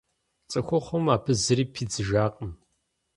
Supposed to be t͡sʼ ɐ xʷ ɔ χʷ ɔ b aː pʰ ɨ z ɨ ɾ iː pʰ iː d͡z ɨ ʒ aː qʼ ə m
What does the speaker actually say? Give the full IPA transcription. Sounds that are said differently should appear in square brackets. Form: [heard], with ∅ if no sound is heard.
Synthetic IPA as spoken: t͡sʼ ɐ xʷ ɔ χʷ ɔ [m] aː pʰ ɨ z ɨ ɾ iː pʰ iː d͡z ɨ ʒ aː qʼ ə m

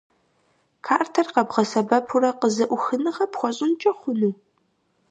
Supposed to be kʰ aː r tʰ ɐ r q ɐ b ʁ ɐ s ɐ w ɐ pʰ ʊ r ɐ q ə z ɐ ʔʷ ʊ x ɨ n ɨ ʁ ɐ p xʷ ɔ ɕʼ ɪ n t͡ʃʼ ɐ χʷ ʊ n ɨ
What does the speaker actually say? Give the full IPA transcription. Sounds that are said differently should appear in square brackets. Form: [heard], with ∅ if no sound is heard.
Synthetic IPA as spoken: kʰ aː r tʰ ɐ r q ɐ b ʁ ɐ s ɐ [b] ɐ pʰ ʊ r ɐ q ə z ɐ ʔʷ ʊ x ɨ n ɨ ʁ ɐ p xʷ ɔ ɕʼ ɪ n t͡ʃʼ ɐ χʷ ʊ n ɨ

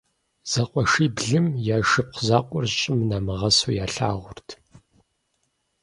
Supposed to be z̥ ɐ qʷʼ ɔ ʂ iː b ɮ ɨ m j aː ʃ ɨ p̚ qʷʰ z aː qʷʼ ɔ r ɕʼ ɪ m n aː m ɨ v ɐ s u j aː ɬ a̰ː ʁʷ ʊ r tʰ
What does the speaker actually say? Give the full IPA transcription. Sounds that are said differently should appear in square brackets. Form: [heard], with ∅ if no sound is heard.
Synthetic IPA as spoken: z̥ ɐ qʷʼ ɔ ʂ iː b ɮ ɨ m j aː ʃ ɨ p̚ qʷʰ z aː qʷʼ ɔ r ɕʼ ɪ m n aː m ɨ [ʁ] ɐ s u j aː ɬ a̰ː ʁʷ ʊ r tʰ

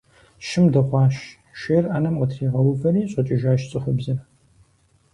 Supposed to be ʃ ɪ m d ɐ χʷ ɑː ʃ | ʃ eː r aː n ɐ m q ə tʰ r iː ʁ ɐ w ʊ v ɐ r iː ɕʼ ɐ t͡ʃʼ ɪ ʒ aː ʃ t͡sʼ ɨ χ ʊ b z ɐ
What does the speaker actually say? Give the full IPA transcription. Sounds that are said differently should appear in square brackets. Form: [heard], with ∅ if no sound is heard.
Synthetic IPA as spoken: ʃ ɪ m d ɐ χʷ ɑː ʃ | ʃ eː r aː n ɐ m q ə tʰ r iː ʁ ɐ w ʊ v ɐ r iː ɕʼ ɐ t͡ʃʼ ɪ ʒ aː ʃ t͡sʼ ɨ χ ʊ b z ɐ

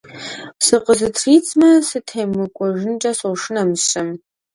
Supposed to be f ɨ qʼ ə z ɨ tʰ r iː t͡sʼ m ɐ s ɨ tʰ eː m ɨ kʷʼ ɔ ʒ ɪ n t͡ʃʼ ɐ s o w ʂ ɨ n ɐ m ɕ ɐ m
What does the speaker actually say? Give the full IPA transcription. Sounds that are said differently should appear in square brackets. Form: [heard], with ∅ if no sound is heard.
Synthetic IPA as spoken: [s] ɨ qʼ ə z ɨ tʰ r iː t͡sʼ m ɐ s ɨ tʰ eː m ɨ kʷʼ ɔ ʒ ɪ n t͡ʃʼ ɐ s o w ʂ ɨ n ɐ m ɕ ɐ m

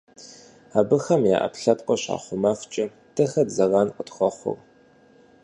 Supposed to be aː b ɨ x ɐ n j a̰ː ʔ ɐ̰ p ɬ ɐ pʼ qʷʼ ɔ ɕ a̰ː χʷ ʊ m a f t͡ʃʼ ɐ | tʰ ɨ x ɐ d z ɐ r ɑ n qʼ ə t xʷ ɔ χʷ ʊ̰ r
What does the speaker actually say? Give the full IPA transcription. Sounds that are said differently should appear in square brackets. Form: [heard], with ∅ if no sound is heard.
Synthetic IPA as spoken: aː b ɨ x ɐ [m] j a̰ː ʔ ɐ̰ p ɬ ɐ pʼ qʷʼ ɔ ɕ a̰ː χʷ ʊ m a f t͡ʃʼ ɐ | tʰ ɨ x ɐ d z ɐ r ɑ n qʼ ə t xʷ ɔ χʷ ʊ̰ r

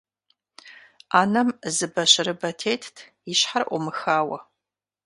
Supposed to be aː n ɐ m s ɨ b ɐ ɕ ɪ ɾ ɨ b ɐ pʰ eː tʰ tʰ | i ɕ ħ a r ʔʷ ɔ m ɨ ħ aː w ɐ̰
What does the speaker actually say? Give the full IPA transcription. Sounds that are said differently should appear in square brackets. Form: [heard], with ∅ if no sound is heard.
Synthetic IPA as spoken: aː n ɐ m [z] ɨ b ɐ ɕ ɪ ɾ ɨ b ɐ [tʰ] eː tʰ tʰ | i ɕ ħ a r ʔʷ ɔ m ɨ [x] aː w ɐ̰

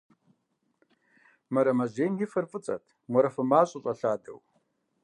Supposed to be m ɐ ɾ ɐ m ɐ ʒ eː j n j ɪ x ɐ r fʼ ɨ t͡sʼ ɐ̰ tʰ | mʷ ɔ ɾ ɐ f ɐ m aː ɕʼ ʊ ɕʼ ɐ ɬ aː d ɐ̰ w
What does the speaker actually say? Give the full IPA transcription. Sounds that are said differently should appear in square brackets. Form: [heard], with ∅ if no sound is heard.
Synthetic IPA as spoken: m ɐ ɾ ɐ m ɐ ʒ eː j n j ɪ [f] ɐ r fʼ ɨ t͡sʼ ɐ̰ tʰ | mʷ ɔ ɾ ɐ f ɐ m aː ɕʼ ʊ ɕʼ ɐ ɬ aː d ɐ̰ w

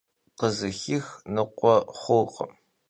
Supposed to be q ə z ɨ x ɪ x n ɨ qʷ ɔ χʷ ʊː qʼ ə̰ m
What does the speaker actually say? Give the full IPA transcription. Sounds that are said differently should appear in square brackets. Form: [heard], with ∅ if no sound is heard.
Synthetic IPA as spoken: q ə z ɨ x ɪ x n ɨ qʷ ɔ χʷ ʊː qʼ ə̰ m

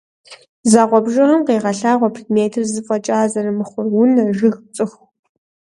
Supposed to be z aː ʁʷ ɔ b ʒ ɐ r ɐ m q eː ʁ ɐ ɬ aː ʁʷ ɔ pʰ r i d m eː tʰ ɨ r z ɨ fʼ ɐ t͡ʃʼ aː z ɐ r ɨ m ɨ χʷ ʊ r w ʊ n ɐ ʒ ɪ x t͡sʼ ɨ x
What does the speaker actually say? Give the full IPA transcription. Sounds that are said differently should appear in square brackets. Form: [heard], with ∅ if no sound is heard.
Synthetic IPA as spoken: z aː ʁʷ ɔ b ʒ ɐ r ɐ m q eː ʁ ɐ ɬ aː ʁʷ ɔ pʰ r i d m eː tʰ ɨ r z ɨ fʼ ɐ t͡ʃʼ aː z ɐ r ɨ m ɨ χʷ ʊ r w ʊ n ɐ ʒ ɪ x t͡sʼ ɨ x

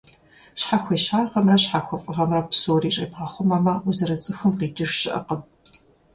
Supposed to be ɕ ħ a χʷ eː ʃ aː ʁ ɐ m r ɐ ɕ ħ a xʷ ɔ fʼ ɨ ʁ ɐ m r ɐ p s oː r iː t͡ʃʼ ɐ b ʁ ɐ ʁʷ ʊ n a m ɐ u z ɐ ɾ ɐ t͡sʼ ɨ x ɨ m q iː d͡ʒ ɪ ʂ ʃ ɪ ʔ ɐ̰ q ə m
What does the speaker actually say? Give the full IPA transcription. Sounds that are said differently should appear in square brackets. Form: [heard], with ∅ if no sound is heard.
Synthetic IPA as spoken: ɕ ħ a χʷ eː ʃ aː ʁ ɐ m r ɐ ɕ ħ a xʷ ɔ fʼ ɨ ʁ ɐ m r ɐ p s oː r iː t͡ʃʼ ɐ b ʁ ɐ [χʷ] ʊ [m] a m ɐ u z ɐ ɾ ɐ t͡sʼ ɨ x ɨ m q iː d͡ʒ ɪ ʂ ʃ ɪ ʔ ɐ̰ q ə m

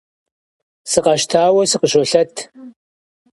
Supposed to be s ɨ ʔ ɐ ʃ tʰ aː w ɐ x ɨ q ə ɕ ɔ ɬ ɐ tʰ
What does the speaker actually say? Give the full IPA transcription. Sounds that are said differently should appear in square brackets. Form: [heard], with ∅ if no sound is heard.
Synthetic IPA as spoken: s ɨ [q] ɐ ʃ tʰ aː w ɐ [s] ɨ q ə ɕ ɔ ɬ ɐ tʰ

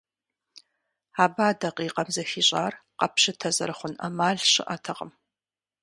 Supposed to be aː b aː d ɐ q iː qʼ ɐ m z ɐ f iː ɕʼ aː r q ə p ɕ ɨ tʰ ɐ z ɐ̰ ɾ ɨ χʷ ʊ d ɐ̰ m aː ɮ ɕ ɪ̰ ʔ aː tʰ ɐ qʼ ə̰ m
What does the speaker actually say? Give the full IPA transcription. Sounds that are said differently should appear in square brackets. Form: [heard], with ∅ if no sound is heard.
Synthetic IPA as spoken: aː b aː d ɐ q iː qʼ ɐ m z ɐ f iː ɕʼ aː r q [ɐ] p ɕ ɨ tʰ ɐ z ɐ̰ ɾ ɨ χʷ ʊ [n] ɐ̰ m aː ɮ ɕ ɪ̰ ʔ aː tʰ ɐ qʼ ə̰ m

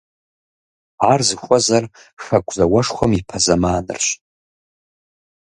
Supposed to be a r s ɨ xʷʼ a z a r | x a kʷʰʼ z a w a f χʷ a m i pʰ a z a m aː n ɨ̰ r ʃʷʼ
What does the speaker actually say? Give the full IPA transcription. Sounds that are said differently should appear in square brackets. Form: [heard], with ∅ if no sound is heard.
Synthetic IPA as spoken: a r [z] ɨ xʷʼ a z a r | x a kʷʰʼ z a w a [ʂ] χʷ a m i pʰ a z a m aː n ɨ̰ r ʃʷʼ

